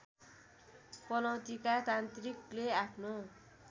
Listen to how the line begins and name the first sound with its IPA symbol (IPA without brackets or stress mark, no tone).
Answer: p